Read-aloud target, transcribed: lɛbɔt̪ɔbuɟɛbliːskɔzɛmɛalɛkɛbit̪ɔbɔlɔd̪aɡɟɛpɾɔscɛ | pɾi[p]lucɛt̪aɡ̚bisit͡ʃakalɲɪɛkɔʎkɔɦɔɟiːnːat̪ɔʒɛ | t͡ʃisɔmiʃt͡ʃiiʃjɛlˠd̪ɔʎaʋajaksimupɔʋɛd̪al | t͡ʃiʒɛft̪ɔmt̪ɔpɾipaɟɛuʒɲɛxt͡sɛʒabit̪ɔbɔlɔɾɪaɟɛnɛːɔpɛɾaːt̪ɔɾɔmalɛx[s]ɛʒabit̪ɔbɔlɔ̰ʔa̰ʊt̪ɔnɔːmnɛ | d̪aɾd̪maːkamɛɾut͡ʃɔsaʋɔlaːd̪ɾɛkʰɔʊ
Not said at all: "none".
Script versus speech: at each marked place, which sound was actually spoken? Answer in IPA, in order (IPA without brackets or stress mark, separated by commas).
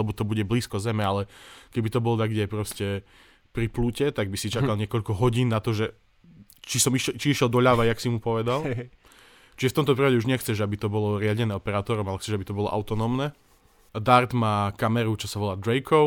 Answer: p, t͡s